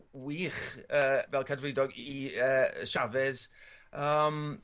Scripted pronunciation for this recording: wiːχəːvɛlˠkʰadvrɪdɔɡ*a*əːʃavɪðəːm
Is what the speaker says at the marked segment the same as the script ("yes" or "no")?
no